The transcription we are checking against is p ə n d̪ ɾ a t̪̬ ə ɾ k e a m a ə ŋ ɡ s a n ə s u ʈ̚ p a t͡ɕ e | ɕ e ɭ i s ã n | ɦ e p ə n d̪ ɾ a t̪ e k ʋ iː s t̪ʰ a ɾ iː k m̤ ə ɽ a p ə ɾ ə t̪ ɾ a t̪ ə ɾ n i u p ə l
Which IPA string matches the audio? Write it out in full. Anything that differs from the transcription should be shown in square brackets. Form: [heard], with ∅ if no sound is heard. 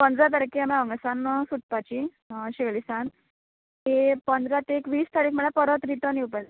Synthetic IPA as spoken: p ə n d̪ ɾ a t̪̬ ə ɾ k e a m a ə ŋ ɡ s a n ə s u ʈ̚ p a t͡ɕ [i] | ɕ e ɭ i s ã n | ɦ e p ə n d̪ ɾ a t̪ e k ʋ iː s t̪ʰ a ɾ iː k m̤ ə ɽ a p ə ɾ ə t̪ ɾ [i] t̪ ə [∅] n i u p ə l